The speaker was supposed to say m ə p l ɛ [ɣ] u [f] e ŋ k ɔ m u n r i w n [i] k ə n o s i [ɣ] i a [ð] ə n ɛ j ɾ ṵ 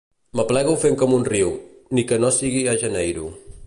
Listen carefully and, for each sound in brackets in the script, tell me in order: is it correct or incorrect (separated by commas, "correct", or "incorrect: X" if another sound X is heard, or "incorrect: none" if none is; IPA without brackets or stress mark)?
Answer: correct, correct, correct, correct, incorrect: ʒ